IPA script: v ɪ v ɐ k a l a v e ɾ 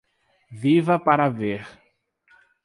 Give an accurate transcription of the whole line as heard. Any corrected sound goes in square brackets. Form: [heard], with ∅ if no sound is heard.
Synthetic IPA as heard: v [i] v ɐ [p] a [ɾ] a v e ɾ

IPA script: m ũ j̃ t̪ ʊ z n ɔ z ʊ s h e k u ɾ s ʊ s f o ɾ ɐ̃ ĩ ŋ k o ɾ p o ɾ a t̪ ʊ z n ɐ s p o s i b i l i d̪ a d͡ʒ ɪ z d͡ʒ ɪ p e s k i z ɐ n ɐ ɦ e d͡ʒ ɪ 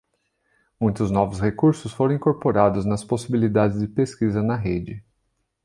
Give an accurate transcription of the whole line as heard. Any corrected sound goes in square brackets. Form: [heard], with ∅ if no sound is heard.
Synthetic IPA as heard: m ũ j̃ t̪ ʊ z n ɔ [v] ʊ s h e k u ɾ s ʊ s f o ɾ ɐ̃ ĩ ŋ k o ɾ p o ɾ a [d̪] ʊ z n ɐ s p o s i b i l i d̪ a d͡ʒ ɪ z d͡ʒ ɪ p e s k i z ɐ n ɐ ɦ e d͡ʒ ɪ

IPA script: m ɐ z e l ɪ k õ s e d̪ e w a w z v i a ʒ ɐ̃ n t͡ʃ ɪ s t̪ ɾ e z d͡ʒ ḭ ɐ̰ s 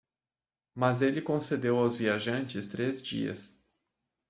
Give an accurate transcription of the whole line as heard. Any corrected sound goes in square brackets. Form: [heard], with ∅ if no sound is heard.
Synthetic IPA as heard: m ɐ z e l ɪ k õ s e d̪ e w a w z v i a ʒ ɐ̃ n t͡ʃ ɪ s t̪ ɾ e z d͡ʒ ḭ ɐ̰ s

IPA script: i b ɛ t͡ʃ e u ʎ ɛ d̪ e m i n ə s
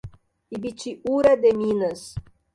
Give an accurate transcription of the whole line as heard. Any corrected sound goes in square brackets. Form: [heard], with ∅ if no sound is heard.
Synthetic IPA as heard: i b [i] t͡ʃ [i] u [ɾ] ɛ d̪ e m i n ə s

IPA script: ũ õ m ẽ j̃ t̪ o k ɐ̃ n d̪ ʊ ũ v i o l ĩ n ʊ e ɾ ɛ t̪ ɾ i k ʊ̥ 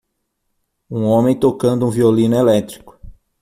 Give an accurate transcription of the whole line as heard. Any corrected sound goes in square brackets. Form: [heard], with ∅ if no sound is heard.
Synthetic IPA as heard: ũ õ m ẽ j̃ t̪ o k ɐ̃ n d̪ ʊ ũ v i o l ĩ n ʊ e [l] ɛ t̪ ɾ i k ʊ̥

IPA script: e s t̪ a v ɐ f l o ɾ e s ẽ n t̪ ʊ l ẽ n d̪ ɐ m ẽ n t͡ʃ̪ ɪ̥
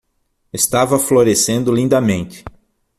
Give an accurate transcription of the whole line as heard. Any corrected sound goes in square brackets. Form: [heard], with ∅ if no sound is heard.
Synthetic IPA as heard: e s t̪ a v ɐ f l o ɾ e s ẽ n [d̪] ʊ l [ĩ] n d̪ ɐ m ẽ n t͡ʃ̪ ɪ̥

